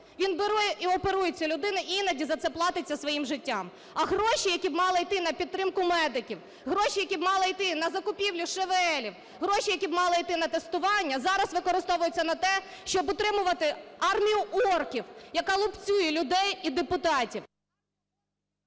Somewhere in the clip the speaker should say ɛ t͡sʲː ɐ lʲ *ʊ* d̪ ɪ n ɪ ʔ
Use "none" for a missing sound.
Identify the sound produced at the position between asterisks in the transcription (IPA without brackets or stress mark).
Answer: ʊ